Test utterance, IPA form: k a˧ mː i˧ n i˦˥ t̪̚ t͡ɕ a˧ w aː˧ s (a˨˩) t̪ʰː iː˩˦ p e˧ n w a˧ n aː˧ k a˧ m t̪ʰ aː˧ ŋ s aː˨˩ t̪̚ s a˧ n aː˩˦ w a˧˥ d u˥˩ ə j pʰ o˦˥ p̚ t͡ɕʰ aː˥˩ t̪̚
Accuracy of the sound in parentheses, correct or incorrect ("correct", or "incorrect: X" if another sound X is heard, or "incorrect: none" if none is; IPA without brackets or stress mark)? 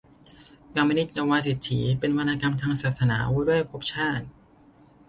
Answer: incorrect: i˨˩